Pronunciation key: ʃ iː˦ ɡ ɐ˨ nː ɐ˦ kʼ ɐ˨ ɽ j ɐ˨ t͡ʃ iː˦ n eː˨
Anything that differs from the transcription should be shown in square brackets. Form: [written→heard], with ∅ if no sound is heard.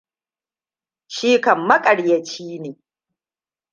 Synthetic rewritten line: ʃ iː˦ [ɡ→k] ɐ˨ [nː→mː] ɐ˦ kʼ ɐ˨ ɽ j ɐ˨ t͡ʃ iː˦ n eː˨